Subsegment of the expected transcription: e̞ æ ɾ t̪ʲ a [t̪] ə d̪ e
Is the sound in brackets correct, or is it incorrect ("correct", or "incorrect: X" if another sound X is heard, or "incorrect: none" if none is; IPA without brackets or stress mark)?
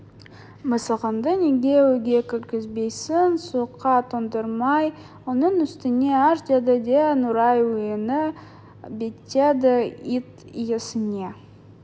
incorrect: d̪